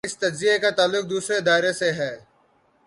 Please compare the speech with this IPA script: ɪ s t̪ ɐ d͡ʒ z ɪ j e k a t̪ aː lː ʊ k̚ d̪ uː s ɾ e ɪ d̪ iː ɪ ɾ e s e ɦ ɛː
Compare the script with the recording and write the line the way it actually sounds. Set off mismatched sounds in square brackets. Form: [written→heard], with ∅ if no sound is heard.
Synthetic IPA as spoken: ɪ s t̪ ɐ d͡ʒ z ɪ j e k a t̪ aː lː ʊ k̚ d̪ uː s ɾ e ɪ d̪ [iː→aː] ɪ ɾ e s e ɦ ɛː